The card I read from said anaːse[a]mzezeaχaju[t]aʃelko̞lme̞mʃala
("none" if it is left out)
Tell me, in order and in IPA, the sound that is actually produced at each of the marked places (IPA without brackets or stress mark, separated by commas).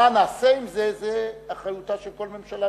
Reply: i, t